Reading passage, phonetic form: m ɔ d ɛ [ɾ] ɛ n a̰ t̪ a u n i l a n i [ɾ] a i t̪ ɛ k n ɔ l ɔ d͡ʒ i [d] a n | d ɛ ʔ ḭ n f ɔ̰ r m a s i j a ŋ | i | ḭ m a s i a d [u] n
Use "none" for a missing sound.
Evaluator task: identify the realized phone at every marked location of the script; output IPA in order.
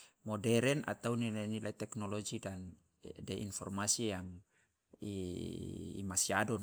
ɾ, l, d, ɔ

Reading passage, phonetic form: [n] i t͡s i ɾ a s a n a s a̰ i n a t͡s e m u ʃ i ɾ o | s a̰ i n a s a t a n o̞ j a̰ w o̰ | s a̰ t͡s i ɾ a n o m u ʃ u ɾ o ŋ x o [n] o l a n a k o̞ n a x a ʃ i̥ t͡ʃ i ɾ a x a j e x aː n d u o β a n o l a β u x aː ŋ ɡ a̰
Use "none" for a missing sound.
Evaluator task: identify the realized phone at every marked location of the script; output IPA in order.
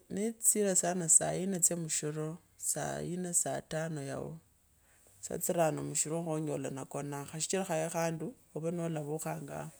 n, ɲ

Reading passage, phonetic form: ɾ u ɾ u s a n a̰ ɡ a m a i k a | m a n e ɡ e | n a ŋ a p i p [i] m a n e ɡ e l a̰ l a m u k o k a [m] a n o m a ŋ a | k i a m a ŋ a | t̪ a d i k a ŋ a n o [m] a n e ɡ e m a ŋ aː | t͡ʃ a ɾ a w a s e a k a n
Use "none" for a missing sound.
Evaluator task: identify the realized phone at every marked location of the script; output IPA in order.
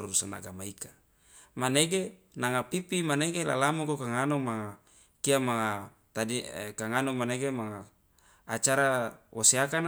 i, ŋ, m

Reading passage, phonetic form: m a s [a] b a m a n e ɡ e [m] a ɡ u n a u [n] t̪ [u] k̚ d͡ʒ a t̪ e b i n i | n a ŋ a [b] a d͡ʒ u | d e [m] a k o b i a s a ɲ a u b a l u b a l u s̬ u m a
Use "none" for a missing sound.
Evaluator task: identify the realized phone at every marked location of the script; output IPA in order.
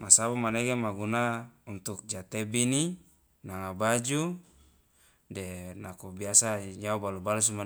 a, m, n, u, b, n

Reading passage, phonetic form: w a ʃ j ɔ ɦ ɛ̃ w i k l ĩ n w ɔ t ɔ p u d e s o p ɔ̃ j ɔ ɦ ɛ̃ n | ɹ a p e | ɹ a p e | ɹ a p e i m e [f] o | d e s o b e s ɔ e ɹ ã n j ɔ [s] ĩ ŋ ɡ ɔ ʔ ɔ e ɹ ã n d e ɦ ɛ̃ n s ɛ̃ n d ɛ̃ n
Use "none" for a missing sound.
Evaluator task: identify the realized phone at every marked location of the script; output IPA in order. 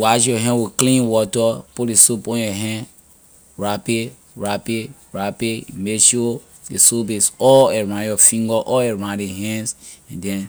ʃ, f

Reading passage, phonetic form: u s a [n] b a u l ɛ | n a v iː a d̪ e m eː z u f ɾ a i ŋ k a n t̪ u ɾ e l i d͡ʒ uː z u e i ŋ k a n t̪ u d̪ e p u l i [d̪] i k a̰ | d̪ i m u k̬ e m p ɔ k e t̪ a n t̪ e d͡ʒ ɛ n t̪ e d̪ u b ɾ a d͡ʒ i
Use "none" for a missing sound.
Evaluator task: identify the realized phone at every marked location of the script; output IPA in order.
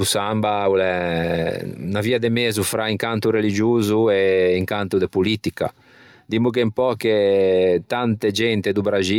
m, t̪

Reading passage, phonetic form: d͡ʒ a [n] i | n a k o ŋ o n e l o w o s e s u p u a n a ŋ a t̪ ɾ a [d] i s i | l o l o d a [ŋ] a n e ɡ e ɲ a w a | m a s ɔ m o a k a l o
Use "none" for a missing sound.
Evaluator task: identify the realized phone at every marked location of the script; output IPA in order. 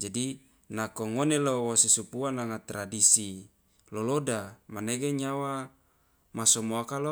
d, d, m

